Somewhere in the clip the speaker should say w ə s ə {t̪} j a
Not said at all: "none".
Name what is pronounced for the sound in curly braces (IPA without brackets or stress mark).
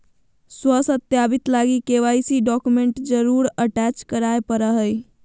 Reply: t̪